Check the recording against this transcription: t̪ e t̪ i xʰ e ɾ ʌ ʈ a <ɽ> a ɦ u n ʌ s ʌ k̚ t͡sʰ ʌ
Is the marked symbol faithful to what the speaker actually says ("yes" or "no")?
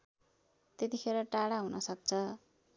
yes